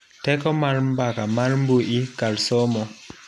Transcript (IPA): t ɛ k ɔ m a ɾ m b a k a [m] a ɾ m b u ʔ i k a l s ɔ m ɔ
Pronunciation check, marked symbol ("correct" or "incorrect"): correct